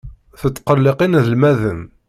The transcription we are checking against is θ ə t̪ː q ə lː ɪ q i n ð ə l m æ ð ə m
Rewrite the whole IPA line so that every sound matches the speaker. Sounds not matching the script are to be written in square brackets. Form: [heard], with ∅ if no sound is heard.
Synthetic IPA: θ ə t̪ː q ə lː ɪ q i n ð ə l m æ ð ə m